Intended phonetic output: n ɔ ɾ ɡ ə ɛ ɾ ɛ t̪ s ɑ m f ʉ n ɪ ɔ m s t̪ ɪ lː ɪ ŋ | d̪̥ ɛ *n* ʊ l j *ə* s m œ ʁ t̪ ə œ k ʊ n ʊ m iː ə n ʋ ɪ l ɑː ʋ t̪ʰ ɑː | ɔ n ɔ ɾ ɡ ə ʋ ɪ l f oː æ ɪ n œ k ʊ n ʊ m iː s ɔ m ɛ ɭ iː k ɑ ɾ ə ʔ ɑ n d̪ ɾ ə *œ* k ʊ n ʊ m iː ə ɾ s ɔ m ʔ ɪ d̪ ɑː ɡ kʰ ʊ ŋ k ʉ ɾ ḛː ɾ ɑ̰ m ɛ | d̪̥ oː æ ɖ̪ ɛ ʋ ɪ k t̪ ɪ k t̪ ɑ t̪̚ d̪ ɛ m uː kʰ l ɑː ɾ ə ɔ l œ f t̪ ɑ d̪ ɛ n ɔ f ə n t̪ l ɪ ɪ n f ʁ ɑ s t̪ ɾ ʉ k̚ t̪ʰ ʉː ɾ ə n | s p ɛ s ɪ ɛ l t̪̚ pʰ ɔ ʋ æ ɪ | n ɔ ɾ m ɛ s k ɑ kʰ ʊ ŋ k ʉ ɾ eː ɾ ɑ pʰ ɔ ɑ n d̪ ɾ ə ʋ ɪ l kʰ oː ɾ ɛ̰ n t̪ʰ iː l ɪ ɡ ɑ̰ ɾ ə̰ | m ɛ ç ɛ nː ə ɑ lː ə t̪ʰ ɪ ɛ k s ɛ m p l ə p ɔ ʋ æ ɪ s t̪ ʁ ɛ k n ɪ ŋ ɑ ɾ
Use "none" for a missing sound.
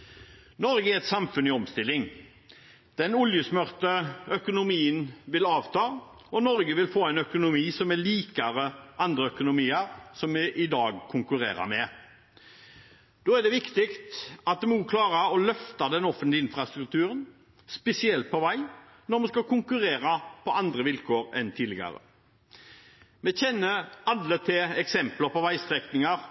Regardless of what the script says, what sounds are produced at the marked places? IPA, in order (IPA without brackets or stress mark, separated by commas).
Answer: n, ə, œ